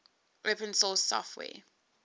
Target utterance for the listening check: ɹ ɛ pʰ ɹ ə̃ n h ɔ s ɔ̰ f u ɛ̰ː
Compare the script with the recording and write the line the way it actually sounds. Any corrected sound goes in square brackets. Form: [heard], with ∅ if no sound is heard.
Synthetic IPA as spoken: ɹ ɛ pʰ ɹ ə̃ n [s] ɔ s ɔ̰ f [w] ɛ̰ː